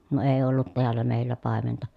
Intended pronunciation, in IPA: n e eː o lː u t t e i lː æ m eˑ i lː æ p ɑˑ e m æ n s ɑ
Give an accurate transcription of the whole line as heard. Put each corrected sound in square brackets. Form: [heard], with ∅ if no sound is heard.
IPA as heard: n e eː o lː u t t e [æ] lː æ m eˑ i lː æ p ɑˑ e m [e] n [t] ɑ

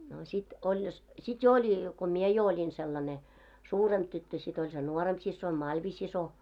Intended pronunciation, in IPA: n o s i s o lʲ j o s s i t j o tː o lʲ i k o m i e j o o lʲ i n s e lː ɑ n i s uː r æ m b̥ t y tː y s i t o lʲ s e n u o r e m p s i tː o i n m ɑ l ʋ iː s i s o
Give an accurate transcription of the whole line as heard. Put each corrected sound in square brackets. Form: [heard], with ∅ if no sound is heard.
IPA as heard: n o s i [t] o lʲ j o s s i t j o [∅] o lʲ i k o m i e j o o lʲ i n s e lː ɑ n [e] s uː r [e] m b̥ t y tː [ø] s i t o lʲ s e n u o r e m p s i [sː] o i n m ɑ l ʋ [i] s i s o

